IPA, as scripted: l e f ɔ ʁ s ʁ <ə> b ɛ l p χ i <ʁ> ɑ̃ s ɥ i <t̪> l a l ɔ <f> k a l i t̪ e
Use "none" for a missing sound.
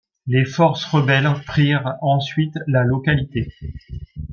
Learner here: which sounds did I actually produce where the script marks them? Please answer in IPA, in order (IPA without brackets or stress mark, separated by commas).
ə, ʁ, t̪, none